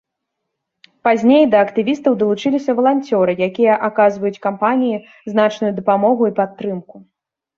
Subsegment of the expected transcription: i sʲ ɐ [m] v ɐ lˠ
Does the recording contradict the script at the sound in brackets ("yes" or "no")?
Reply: yes